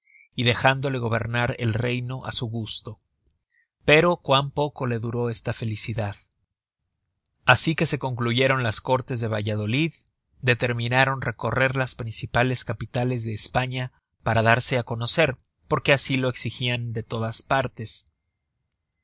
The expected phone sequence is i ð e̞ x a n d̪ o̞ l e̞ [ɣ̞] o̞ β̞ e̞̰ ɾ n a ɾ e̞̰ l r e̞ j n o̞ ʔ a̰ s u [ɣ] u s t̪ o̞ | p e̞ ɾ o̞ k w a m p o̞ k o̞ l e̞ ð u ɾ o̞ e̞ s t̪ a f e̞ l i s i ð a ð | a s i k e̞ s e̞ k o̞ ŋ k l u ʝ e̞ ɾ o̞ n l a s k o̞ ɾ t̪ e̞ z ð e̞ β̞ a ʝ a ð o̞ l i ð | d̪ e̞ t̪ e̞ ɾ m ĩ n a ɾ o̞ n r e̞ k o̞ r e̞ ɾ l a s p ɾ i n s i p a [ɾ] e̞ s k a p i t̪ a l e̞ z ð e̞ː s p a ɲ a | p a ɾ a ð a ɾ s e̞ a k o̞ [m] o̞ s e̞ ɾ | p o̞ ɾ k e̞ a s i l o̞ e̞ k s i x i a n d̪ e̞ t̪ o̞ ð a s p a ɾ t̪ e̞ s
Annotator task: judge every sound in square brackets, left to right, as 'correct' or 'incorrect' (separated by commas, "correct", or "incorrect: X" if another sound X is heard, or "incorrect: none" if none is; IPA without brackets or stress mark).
correct, correct, incorrect: l, incorrect: n